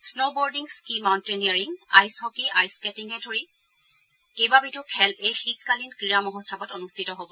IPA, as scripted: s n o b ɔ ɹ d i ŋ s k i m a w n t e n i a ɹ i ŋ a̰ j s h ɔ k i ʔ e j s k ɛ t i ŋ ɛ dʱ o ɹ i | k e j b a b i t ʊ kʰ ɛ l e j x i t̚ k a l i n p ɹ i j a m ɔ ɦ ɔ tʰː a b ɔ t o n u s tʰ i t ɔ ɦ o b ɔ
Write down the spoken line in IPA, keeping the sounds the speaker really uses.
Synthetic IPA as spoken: s n o b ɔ ɹ d i ŋ s k i m a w n t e n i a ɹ i ŋ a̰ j s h ɔ k i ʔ a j s k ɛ t i ŋ ɛ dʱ o ɹ i | k e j b a b i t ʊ kʰ ɛ l e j x i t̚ k a l i n k ɹ i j a m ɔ ɦ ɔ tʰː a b ɔ t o n u s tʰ i t ɔ ɦ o b ɔ